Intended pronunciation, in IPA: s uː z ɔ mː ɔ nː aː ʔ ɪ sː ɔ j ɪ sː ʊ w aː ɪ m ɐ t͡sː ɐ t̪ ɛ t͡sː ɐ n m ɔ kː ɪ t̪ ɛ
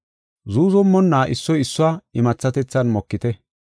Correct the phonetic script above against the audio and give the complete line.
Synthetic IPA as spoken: z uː z ɔ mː ɔ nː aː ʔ ɪ sː ɔ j ɪ sː ʊ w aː ɪ m ɐ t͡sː ɐ t̪ ɛ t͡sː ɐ n m ɔ kː ɪ t̪ ɛ